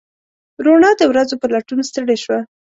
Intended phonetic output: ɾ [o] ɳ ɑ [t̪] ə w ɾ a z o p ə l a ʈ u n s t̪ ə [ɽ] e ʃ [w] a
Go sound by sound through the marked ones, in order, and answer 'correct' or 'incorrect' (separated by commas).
correct, incorrect, correct, correct